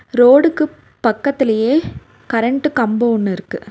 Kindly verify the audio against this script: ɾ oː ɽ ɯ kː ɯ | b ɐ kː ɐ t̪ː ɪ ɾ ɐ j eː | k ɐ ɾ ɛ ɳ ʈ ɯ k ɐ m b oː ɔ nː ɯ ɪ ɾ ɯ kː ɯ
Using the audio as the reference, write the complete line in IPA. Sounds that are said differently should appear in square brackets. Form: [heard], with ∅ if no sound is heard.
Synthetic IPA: ɾ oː ɽ ɯ kː ɯ | [p] ɐ kː ɐ t̪ː ɪ [l] ɐ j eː | k ɐ ɾ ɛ ɳ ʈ ɯ k ɐ m b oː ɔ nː ɯ ɪ ɾ ɯ kː ɯ